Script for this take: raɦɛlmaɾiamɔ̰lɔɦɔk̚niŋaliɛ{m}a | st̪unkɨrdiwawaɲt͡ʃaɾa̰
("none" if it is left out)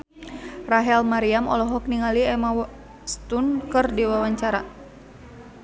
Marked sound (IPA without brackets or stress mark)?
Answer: m